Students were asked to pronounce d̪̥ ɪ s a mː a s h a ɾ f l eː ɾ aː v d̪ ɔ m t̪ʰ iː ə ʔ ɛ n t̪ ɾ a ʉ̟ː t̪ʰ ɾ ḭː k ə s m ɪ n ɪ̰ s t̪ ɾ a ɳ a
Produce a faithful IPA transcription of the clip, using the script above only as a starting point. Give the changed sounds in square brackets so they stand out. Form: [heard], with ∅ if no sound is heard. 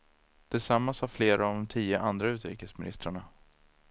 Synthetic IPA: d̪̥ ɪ s a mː a s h a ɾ f l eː ɾ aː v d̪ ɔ m t̪ʰ iː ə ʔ [a] n [d̪] ɾ a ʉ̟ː [t̪] ɾ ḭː k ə s m ɪ n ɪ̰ s t̪ ɾ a ɳ a